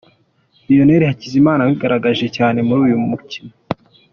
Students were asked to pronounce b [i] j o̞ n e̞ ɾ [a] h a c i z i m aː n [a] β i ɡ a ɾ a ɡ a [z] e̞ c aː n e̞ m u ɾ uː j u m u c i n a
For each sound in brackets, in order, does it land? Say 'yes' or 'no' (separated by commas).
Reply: yes, no, yes, no